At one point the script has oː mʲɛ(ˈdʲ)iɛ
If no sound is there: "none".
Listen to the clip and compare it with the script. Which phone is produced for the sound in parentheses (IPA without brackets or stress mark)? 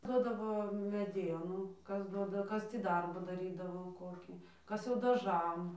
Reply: dʲ